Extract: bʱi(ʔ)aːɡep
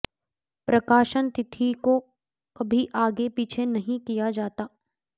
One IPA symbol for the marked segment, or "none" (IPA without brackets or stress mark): ʔ